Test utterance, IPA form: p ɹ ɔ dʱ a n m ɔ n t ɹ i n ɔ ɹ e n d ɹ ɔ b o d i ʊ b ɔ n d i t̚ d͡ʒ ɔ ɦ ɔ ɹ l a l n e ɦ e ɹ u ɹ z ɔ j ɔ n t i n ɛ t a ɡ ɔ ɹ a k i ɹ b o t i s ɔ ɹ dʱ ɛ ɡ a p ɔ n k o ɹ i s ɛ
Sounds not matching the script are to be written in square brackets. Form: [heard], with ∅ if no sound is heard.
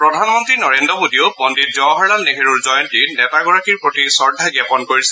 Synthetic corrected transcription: p ɹ ɔ dʱ a n m ɔ n t ɹ i n ɔ ɹ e n d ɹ ɔ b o d i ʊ b ɔ n d i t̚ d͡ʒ ɔ ɦ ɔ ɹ l a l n e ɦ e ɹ u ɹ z ɔ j ɔ n t i n ɛ t a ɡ ɔ ɹ a k i ɹ [p] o t i s ɔ ɹ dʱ [a] ɡ a p ɔ n k o ɹ i s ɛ